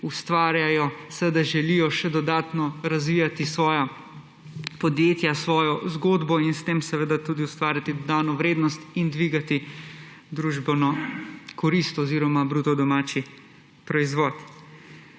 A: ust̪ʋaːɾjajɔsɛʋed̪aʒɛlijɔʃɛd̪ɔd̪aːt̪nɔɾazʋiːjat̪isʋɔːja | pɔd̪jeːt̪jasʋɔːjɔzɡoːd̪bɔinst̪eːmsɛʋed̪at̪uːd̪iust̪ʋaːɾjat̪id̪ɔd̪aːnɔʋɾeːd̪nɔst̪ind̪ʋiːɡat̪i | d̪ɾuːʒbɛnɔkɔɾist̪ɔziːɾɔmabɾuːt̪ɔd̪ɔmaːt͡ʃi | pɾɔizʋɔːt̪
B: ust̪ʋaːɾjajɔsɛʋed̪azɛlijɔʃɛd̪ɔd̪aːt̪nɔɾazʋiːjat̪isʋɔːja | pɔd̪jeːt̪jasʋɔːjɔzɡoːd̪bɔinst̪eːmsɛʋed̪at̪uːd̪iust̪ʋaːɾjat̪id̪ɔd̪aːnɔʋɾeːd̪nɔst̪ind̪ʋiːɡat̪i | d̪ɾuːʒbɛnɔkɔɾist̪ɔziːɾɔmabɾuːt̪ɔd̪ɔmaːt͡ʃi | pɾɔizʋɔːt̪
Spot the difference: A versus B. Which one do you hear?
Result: A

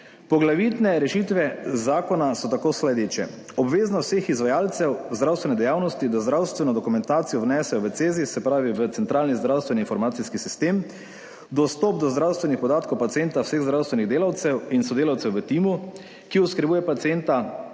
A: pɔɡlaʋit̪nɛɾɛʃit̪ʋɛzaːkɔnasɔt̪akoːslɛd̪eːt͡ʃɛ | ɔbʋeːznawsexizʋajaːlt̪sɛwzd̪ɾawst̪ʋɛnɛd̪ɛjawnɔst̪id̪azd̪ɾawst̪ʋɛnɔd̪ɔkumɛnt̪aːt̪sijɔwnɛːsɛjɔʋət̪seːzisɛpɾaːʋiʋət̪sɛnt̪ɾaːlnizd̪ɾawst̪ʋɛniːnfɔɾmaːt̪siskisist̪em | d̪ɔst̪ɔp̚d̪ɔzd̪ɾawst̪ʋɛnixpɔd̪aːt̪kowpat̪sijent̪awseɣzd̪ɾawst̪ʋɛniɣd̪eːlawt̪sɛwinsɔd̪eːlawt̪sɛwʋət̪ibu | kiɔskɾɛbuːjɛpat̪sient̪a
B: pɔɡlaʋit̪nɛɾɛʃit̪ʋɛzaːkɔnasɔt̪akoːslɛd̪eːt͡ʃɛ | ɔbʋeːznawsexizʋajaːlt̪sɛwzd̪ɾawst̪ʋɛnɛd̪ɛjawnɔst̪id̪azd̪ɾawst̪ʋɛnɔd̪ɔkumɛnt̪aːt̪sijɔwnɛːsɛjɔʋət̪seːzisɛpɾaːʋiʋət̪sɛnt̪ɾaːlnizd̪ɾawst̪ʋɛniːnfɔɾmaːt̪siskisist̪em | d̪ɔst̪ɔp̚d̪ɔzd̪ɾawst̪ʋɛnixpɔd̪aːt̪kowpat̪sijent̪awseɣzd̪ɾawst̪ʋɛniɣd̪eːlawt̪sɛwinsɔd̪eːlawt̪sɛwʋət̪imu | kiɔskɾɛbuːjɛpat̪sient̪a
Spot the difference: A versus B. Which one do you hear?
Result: B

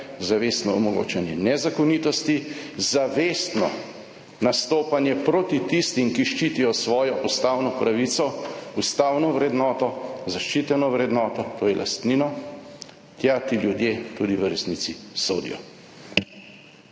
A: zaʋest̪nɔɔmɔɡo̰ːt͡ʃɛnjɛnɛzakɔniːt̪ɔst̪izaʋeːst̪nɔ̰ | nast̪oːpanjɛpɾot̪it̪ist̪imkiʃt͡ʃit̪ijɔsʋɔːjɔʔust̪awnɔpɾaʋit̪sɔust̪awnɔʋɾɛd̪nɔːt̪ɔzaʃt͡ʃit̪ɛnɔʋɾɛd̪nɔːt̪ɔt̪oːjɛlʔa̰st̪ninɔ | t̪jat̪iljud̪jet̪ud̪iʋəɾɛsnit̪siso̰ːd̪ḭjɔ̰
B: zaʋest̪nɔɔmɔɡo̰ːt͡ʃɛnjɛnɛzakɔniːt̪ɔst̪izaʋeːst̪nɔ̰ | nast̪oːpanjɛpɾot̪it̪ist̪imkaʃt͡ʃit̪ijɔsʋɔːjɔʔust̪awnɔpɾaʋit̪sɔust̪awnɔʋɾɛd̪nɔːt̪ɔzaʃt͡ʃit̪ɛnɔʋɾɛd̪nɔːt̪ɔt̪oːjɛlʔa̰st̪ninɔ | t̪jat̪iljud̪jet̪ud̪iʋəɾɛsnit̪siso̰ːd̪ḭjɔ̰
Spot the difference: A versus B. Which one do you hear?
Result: A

